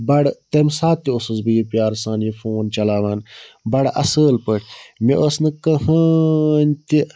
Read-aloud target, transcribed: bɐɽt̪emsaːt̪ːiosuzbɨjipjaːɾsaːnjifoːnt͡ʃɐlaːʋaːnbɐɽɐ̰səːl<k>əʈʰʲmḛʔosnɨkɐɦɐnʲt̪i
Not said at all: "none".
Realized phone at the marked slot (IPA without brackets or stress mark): p